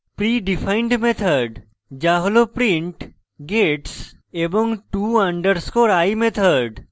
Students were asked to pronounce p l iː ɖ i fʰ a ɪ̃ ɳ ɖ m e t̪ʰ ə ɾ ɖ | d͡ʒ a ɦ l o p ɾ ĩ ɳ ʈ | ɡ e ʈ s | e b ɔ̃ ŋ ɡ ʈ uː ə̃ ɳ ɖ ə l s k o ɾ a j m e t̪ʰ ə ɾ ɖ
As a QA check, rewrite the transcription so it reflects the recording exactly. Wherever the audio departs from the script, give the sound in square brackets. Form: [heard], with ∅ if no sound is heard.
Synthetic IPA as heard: p [ɾ] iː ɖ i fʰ a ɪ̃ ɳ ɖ m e t̪ʰ ə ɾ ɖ | d͡ʒ a ɦ l o p ɾ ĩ ɳ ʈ | ɡ e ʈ s | e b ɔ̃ ŋ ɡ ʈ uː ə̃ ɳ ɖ ə [ɾ] s k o ɾ a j m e t̪ʰ ə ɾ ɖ